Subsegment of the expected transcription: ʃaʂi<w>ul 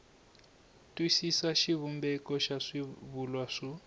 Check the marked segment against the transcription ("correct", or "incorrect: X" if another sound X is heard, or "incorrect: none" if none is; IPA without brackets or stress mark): incorrect: β